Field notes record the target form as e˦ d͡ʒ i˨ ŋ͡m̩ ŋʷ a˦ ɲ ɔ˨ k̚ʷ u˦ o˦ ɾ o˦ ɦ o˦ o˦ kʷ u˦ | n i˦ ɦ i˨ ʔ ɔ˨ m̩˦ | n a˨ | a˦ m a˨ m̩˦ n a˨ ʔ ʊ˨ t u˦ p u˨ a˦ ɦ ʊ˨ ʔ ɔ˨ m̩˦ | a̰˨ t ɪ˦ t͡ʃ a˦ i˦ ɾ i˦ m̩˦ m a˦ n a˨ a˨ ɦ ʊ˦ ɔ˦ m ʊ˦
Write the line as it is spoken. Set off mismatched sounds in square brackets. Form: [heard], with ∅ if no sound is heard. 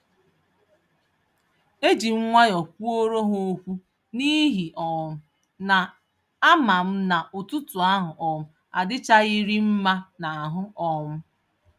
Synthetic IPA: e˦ d͡ʒ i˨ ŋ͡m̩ ŋʷ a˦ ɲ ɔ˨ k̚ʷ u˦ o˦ ɾ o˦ ɦ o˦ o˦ kʷ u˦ | n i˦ ɦ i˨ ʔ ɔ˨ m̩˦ | n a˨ | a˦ m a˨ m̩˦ n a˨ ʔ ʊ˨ t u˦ [t] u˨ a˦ ɦ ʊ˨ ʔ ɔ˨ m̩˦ | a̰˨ [d] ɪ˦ t͡ʃ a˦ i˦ ɾ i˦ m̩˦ m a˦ n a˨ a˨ ɦ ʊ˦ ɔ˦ m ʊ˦